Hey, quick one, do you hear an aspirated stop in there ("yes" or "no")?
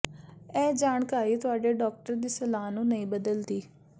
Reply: no